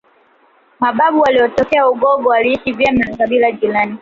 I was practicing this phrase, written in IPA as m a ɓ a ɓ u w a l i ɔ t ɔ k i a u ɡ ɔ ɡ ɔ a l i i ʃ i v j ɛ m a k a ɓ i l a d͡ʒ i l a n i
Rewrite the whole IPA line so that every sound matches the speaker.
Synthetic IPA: m a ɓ a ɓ u w a l i ɔ t ɔ k ɛ a u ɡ ɔ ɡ ɔ a l i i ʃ i v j ɛ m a k a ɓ i l a d͡ʒ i l a n i